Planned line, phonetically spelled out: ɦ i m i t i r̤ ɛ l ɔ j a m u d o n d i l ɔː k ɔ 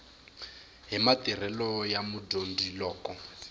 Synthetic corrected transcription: ɦ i m a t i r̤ ɛ l ɔ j a m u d o n d i l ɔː k ɔ